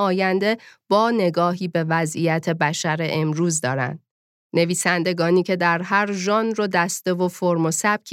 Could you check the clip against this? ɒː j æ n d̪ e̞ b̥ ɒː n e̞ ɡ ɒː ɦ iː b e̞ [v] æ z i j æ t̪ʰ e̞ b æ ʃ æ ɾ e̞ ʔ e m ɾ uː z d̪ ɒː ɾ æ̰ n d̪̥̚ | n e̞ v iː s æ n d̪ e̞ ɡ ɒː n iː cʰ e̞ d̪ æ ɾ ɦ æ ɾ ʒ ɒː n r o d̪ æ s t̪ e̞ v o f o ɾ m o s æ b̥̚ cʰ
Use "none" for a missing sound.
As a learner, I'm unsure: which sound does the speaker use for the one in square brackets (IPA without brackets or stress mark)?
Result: v